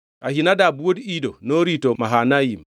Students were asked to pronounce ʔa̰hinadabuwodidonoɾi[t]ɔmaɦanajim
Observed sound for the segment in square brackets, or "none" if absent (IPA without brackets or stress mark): t